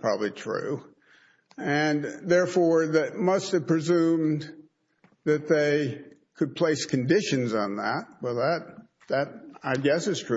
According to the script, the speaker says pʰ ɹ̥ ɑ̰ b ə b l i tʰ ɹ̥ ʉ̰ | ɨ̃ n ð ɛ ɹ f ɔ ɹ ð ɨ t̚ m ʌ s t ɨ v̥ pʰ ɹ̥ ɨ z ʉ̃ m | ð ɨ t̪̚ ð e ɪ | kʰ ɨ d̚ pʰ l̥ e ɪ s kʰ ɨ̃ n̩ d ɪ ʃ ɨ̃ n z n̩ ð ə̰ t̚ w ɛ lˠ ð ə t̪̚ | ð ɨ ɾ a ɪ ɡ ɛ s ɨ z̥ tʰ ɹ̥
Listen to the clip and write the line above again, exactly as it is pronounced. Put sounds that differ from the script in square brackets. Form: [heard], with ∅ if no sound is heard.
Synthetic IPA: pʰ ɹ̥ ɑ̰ b ə b l i tʰ ɹ̥ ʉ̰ | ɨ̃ n ð ɛ ɹ f ɔ ɹ ð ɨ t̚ m ʌ s t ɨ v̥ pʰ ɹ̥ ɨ z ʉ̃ m | ð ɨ t̪̚ ð e ɪ | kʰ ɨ d̚ pʰ l̥ e ɪ s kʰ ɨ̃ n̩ d ɪ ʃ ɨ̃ n z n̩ ð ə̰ t̚ w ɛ lˠ ð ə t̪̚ | ð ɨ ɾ a ɪ ɡ ɛ s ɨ z̥ tʰ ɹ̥